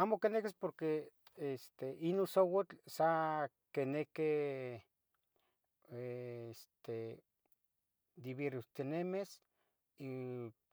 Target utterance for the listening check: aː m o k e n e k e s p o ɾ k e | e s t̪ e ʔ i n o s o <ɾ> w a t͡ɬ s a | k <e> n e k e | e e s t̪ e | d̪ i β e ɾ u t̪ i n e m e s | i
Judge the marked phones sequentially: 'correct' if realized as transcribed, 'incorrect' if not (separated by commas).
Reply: incorrect, correct